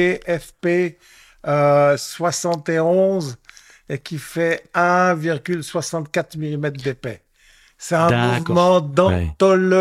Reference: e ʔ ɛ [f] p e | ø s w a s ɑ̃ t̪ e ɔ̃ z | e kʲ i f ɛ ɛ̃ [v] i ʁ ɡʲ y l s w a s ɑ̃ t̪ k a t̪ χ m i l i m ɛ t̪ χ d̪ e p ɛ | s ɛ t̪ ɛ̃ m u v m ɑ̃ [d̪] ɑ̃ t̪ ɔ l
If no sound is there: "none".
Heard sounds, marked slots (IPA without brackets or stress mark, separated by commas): f, v, d̪